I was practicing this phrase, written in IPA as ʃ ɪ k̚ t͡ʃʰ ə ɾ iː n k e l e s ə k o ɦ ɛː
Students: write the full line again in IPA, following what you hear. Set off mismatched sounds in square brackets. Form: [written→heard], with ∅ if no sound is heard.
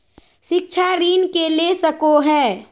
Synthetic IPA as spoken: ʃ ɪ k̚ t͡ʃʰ [ə→a] ɾ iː n k e l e s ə k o ɦ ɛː